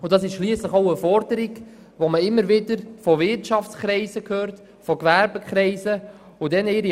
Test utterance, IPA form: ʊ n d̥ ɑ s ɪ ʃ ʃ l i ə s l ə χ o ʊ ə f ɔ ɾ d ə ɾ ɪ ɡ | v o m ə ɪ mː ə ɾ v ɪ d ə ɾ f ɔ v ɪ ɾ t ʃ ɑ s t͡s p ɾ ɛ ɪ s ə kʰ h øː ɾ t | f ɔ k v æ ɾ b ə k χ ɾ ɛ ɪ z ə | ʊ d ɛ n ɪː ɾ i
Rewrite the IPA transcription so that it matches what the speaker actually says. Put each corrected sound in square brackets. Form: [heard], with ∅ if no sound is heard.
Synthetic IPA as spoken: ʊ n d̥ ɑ s ɪ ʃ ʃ l i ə s l ə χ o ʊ ə f ɔ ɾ d ə ɾ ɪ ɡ | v o m ə ɪ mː ə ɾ v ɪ d ə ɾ f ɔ v ɪ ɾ t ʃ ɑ [f] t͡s [k] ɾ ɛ ɪ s ə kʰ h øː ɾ t | f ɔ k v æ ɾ b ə k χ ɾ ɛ ɪ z ə | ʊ d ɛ n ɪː ɾ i